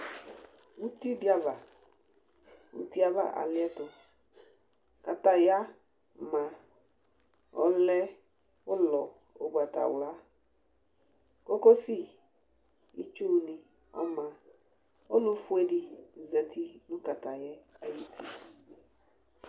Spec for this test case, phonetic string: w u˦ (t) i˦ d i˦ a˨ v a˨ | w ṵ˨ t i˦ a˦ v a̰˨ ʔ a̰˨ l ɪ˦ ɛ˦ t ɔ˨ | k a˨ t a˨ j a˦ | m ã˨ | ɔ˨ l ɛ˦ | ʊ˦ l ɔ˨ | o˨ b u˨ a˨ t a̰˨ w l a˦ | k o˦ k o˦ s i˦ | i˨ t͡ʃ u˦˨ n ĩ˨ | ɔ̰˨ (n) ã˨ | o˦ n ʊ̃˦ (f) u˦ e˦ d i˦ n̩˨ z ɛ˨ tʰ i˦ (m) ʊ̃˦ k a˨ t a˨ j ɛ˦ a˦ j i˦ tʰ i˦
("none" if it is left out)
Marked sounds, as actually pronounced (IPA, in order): t, m, f, n

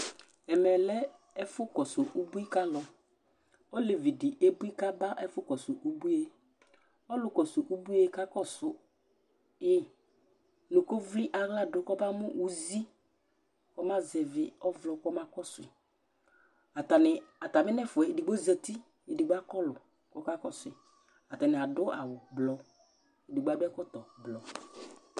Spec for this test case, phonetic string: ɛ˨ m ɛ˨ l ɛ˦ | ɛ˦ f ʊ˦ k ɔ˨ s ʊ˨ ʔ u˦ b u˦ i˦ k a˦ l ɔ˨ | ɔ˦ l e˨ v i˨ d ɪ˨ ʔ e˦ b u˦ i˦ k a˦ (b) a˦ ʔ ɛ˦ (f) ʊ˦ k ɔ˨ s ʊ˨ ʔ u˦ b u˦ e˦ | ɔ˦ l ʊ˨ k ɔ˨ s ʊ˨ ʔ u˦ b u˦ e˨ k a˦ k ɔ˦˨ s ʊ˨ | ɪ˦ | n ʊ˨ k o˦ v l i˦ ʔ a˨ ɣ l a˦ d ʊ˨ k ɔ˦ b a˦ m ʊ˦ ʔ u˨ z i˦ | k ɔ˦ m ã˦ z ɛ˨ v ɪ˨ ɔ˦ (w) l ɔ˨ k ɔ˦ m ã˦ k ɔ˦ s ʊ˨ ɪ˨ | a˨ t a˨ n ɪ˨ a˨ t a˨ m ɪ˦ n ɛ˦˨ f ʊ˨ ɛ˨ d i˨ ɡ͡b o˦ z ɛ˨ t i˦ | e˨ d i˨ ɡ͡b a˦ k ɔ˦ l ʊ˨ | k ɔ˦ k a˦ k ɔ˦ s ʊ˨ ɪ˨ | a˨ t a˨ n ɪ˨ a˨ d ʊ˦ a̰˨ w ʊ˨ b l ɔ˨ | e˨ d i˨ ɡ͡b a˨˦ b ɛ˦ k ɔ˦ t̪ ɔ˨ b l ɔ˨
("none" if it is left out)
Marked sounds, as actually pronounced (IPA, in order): b, f, v

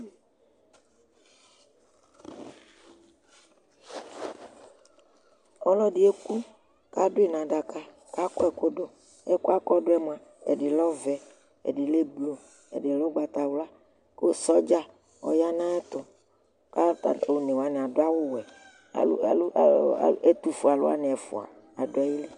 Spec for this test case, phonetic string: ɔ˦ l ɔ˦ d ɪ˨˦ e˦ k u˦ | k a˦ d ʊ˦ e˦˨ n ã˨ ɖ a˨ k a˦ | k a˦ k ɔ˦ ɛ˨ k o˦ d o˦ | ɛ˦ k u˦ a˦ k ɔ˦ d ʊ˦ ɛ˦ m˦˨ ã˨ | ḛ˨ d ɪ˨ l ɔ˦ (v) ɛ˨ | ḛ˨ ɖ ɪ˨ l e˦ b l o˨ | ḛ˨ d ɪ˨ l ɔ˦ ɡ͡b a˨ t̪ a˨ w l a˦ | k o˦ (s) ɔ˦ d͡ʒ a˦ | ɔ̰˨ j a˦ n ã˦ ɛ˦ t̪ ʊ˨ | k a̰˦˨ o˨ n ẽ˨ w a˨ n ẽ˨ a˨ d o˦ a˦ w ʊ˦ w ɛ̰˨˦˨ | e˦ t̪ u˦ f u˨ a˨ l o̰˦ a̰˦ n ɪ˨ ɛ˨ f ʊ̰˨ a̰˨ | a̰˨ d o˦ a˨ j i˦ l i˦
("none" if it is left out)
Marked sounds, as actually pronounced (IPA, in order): v, s

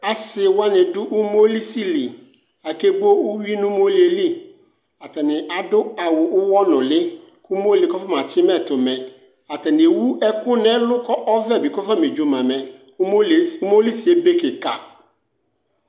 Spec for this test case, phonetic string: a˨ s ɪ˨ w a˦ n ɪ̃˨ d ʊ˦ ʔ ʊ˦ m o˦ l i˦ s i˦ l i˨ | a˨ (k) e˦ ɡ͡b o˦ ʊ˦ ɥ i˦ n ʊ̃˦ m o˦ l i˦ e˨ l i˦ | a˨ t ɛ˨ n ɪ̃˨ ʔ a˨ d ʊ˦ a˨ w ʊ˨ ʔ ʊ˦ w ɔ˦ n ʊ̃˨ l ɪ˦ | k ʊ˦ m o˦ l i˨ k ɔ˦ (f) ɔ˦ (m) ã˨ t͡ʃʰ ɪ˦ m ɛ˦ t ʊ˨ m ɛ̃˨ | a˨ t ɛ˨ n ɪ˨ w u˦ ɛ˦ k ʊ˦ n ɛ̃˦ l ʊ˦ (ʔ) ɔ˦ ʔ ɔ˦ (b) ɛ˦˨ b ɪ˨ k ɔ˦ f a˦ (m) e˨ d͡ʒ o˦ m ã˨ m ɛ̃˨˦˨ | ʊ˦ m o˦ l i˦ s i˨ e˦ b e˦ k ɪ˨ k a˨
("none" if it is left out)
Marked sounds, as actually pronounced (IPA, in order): k, f, m, k, v, m

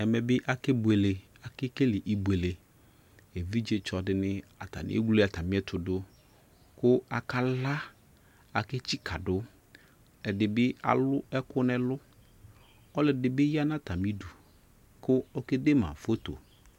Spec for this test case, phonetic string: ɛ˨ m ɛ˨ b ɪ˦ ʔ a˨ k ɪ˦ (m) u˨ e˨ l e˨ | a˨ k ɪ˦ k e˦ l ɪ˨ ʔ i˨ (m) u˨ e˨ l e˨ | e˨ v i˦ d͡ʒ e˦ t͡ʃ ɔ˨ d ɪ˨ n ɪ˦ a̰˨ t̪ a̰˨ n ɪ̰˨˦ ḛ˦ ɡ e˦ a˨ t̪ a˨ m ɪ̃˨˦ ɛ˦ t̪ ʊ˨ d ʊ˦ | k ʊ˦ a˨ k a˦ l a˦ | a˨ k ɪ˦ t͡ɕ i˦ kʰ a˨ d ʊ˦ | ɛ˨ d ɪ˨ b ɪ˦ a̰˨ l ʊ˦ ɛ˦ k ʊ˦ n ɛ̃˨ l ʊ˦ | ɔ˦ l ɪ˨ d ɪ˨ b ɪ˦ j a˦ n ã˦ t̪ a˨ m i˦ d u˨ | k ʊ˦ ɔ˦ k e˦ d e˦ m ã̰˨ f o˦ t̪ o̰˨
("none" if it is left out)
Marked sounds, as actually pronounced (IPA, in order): b, b

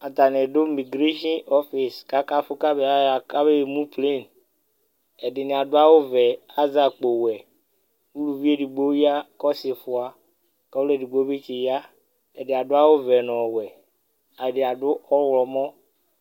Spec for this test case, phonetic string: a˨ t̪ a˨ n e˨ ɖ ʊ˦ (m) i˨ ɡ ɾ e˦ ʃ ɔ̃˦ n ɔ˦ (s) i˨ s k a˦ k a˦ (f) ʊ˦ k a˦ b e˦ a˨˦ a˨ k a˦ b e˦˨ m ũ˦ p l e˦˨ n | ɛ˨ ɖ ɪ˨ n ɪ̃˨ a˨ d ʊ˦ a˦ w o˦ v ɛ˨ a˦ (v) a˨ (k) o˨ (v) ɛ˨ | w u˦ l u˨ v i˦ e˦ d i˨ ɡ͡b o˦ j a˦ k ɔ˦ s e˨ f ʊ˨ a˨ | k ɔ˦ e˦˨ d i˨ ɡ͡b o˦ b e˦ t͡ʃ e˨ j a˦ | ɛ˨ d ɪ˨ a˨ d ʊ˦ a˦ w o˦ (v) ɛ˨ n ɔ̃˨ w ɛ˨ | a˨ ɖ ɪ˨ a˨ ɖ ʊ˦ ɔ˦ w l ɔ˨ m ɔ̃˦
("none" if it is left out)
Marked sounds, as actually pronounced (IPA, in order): m, f, f, z, k͡p, w, v

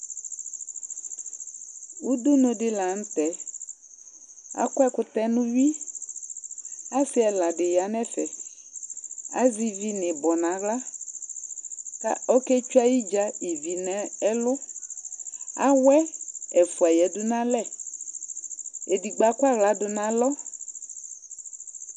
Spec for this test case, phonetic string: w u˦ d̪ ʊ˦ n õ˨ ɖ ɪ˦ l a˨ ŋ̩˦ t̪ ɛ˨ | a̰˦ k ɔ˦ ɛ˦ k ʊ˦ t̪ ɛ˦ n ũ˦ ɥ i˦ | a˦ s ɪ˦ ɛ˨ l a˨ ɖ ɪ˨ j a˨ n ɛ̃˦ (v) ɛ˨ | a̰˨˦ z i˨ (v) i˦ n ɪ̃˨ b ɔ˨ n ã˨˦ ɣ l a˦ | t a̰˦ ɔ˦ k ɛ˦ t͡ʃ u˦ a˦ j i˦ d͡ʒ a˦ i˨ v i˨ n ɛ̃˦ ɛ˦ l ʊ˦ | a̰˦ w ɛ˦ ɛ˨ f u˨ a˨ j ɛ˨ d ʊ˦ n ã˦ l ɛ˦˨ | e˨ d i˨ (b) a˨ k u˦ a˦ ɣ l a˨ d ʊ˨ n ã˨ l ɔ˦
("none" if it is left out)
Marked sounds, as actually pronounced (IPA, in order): f, v, ɡ͡b

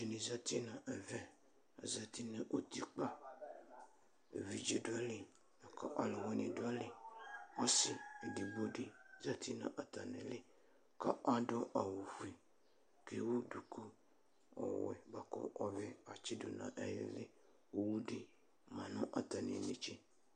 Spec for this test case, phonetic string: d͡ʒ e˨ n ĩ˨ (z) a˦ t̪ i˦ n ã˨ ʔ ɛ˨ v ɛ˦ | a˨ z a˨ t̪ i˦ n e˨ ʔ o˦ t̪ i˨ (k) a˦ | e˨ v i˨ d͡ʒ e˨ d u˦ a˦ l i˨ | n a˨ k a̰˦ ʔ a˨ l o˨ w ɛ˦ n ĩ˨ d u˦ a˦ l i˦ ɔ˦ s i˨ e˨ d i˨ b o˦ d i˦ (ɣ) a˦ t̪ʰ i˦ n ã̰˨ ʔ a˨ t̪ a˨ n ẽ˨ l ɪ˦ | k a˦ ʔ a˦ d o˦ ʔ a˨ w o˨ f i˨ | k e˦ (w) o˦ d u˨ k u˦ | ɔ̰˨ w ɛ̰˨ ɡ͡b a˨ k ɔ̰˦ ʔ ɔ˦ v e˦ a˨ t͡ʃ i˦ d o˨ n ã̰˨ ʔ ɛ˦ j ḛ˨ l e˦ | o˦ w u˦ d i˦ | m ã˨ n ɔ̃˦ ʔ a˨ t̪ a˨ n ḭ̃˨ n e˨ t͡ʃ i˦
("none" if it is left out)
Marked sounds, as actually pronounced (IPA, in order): z, k͡p, z, w

